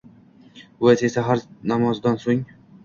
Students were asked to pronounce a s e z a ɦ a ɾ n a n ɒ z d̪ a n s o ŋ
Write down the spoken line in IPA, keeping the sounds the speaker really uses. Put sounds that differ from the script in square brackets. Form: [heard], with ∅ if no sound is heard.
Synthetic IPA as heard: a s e [s] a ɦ a ɾ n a [m] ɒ z d̪ a n s o ŋ